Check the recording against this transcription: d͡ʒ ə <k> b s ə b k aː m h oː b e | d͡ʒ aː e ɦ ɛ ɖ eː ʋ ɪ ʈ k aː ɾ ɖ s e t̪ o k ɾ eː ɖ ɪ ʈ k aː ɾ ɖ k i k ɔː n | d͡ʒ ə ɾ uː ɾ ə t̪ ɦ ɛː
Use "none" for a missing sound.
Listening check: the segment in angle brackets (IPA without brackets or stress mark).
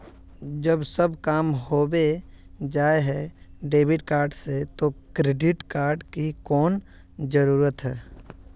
none